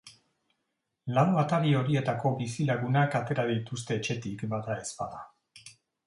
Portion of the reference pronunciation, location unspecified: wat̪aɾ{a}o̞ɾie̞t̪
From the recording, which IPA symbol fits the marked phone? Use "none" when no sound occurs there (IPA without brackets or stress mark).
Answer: i